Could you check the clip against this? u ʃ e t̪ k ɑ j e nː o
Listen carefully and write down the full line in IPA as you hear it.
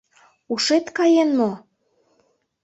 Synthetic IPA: u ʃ e t̪ k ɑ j e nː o